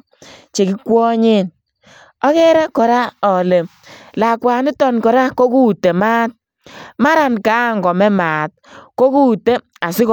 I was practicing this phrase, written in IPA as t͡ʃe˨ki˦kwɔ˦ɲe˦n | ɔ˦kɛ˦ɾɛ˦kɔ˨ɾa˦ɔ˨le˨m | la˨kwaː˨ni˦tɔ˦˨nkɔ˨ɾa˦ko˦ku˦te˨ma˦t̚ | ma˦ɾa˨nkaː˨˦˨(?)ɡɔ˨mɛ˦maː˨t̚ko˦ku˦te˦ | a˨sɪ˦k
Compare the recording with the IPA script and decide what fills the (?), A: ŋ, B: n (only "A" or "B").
A